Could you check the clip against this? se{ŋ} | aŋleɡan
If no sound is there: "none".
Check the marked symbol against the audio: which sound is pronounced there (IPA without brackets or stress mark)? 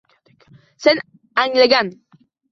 n